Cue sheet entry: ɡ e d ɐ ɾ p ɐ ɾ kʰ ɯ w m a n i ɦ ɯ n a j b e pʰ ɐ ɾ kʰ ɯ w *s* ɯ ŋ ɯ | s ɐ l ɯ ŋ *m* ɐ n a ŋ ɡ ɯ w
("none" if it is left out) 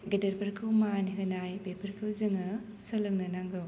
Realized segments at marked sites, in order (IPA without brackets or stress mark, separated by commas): z, n